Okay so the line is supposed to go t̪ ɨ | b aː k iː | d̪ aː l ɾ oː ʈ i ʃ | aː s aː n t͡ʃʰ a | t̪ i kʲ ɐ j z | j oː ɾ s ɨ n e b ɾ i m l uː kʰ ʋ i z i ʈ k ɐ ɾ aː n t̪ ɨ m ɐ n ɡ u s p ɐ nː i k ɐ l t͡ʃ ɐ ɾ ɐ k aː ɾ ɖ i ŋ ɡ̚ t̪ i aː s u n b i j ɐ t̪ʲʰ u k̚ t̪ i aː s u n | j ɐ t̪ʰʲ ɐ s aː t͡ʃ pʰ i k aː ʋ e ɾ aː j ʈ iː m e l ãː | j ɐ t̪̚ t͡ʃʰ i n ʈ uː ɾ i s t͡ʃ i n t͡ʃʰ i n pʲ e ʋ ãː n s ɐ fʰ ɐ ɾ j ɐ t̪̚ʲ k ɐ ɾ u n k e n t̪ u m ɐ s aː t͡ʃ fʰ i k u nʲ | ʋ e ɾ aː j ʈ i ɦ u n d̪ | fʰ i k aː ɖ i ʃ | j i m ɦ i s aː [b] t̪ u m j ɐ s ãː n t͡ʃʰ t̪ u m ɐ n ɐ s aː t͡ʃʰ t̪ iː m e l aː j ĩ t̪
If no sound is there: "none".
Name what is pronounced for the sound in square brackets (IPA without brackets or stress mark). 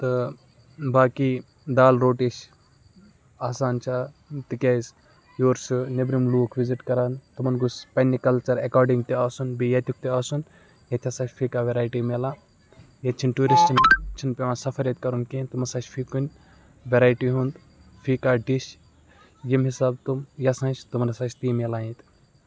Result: b